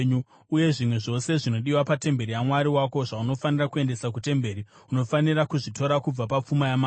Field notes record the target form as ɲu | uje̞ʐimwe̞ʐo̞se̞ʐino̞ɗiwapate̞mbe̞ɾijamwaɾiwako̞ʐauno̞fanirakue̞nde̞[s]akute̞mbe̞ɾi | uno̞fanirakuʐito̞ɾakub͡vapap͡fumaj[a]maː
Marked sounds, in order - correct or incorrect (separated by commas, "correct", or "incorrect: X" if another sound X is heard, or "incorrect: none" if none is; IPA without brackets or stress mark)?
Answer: correct, correct